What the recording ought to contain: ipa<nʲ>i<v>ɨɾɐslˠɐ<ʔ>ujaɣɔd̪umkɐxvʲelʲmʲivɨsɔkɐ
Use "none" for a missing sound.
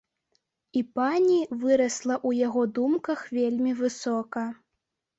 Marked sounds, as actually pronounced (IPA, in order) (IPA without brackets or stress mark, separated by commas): nʲ, v, ʔ